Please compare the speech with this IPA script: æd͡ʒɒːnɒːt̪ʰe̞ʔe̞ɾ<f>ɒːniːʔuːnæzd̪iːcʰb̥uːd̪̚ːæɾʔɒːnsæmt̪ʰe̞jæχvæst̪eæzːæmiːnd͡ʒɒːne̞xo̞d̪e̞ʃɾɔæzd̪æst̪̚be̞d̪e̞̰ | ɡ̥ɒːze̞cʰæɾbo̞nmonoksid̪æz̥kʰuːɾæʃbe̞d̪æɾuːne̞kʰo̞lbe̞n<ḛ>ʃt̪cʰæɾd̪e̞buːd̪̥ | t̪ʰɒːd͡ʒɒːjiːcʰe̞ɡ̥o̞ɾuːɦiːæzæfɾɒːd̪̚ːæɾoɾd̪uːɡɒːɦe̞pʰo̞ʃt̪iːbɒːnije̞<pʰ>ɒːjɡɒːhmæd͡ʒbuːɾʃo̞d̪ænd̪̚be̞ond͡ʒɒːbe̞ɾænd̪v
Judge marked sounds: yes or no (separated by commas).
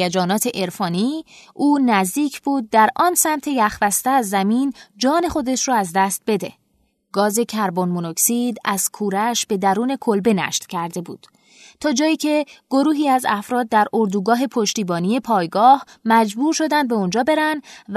yes, no, yes